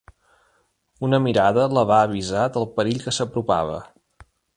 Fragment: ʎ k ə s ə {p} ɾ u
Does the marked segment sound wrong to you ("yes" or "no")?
no